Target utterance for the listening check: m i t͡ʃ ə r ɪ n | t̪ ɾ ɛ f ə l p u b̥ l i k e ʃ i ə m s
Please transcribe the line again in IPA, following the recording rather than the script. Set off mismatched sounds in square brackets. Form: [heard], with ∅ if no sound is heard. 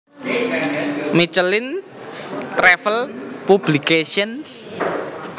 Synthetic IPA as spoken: m i t͡ʃ ə [l] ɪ n | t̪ ɾ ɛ f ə l p u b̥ l i k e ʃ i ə [n] s